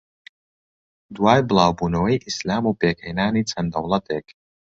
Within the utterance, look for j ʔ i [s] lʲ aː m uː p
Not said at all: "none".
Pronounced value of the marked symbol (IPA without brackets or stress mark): s